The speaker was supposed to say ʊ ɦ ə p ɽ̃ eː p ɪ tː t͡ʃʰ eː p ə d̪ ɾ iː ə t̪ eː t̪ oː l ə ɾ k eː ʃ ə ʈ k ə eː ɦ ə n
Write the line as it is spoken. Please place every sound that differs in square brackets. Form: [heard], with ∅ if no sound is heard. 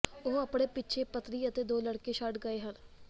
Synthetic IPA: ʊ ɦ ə p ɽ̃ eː p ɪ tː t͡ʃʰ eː p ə [t̪] ɾ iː ə t̪ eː [d̪] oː l ə [ɽ] k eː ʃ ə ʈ [ɡ] ə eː ɦ ə n